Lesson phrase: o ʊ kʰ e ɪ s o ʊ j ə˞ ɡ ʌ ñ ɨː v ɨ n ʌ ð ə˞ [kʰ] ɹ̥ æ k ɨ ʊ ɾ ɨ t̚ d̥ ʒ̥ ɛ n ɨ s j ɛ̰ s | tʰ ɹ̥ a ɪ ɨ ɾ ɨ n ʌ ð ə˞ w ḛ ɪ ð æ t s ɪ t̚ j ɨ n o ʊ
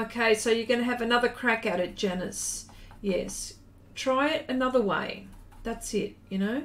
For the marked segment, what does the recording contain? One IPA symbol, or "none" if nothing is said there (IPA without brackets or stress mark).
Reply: kʰ